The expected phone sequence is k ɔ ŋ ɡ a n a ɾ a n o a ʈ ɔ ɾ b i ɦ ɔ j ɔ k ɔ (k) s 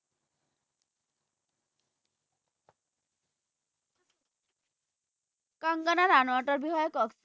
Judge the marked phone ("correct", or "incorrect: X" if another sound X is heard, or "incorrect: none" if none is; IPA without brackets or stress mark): correct